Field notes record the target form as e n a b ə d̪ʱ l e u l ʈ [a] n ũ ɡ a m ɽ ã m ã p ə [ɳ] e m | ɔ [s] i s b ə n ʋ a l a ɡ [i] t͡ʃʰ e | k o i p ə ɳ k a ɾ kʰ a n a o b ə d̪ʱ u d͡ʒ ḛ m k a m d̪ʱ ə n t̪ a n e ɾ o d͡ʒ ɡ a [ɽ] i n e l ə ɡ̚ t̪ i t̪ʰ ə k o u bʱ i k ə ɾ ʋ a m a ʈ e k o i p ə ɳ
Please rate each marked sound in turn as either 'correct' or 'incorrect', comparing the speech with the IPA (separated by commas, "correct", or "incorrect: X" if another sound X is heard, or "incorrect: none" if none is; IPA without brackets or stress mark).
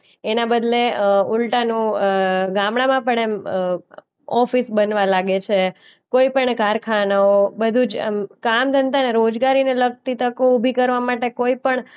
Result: correct, correct, incorrect: f, incorrect: e, incorrect: ɾ